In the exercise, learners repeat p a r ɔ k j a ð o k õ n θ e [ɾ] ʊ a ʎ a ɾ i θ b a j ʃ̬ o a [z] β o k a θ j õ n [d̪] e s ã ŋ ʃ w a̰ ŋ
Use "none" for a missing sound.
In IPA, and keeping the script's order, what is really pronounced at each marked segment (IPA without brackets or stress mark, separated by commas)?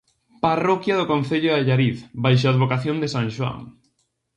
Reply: ʎ, ð, d̪